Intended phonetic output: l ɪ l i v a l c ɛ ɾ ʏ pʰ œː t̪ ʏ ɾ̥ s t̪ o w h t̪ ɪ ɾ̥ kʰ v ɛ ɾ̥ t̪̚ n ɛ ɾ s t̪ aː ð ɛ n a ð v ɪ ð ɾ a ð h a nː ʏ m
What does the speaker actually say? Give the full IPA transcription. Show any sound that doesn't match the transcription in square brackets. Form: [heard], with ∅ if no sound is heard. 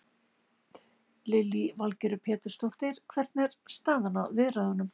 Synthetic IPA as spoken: l ɪ l i v a l c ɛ ɾ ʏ pʰ [ɛː] t̪ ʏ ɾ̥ s t̪ o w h t̪ ɪ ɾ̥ kʰ v ɛ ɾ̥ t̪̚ n ɛ ɾ s t̪ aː ð [a] n a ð v ɪ ð ɾ a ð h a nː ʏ m